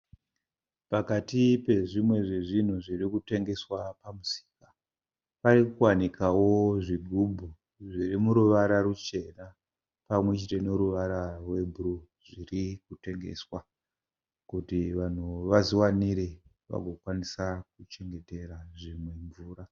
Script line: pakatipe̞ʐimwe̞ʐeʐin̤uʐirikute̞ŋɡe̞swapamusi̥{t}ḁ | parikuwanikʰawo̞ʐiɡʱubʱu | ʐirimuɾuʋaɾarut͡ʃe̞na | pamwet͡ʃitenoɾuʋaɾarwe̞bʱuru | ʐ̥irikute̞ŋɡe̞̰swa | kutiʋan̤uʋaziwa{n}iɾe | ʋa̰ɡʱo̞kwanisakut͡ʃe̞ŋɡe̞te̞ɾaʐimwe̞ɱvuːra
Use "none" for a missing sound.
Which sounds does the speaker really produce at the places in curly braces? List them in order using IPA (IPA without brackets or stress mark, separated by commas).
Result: k, n